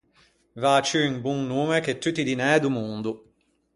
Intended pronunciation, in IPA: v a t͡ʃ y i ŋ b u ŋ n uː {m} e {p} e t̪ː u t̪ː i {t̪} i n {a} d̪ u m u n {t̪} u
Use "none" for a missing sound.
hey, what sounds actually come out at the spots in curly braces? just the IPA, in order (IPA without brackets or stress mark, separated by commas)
m, k, d̪, ɛ, d̪